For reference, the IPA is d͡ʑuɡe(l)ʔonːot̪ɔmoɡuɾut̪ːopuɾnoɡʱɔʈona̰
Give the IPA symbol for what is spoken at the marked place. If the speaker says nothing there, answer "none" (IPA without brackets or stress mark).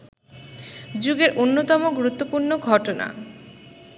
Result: ɾ